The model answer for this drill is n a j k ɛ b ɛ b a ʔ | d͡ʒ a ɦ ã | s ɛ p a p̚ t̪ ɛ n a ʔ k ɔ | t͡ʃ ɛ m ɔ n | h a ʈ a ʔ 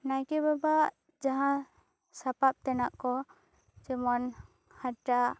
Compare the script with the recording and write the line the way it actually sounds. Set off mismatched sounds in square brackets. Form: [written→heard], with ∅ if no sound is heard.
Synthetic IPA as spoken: n a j k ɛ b [ɛ→a] b a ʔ | d͡ʒ a ɦ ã | s [ɛ→a] p a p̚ t̪ ɛ n a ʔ k ɔ | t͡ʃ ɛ m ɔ n | h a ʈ a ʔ